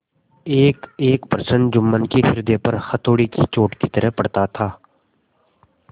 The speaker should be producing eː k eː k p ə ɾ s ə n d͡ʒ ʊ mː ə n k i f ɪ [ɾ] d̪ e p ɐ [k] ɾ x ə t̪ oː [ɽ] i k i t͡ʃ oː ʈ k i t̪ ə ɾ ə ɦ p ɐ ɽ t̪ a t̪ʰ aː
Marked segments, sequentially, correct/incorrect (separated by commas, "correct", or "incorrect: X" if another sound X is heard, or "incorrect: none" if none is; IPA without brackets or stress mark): correct, incorrect: none, correct